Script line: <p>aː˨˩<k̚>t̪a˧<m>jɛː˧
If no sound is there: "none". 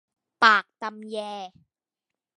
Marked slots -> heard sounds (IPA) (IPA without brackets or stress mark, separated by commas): p, k̚, m